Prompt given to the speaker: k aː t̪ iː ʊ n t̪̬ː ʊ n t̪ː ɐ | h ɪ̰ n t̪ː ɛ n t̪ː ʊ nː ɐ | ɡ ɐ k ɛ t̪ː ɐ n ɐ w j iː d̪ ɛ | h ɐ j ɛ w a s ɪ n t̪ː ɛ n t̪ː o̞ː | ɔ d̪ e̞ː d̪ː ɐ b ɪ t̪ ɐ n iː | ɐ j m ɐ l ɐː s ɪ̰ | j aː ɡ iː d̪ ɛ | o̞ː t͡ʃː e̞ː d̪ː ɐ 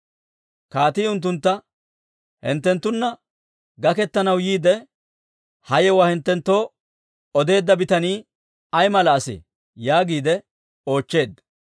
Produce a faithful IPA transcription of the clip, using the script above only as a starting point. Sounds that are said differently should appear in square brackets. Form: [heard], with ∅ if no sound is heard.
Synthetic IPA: k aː t̪ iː ʊ n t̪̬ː ʊ n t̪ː ɐ | h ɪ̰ n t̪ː ɛ n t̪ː ʊ nː ɐ | ɡ ɐ k ɛ t̪ː ɐ n ɐ w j iː d̪ ɛ | h ɐ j ɛ w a [h] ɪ n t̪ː ɛ n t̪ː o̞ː | ɔ d̪ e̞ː d̪ː ɐ b ɪ t̪ ɐ n iː | ɐ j m ɐ l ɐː s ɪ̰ | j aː ɡ iː d̪ ɛ | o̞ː t͡ʃː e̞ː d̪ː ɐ